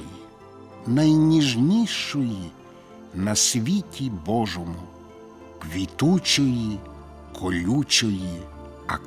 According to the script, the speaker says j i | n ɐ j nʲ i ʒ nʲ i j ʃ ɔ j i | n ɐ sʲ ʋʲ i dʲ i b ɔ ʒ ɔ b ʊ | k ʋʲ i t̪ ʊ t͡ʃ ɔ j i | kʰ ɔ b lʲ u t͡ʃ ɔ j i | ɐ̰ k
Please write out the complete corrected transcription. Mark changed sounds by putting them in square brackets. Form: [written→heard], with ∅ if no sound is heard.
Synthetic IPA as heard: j i | n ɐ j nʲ i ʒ nʲ i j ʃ ɔ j i | n ɐ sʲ ʋʲ i [dʲ→tʲ] i b ɔ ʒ ɔ [b→m] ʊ | k ʋʲ i t̪ [ʊ→u] t͡ʃ ɔ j i | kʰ ɔ [b→∅] lʲ u t͡ʃ ɔ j i | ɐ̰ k